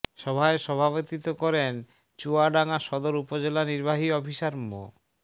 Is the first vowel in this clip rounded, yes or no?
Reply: yes